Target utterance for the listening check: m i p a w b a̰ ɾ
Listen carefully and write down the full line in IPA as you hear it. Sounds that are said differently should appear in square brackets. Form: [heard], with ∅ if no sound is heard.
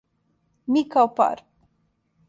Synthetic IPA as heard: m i [k] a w [p] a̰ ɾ